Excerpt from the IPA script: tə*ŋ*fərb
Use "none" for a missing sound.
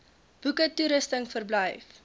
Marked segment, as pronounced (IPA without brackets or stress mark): ŋ